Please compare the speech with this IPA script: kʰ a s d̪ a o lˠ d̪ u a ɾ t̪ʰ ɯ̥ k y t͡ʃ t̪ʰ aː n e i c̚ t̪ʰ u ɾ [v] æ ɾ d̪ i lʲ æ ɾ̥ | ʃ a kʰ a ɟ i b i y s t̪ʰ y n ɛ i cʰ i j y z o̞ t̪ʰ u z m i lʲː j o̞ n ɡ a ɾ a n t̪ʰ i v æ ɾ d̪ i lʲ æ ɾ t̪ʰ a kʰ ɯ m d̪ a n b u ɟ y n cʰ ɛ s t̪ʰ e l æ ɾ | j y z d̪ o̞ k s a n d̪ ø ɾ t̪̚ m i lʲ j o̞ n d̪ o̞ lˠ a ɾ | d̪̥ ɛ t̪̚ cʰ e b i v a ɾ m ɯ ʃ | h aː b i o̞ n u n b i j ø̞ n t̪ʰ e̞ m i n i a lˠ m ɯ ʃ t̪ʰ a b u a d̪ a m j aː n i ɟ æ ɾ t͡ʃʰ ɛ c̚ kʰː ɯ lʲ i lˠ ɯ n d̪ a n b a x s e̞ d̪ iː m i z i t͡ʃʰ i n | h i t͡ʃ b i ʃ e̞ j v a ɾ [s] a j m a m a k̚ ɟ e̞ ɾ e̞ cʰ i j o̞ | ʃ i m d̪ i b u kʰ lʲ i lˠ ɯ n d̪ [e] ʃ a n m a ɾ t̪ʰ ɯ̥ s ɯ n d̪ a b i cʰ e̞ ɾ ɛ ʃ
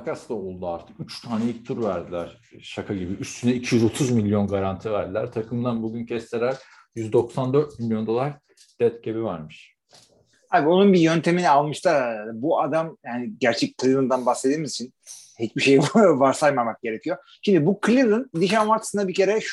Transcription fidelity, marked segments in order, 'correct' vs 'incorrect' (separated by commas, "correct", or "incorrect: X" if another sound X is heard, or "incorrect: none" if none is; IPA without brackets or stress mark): correct, correct, incorrect: i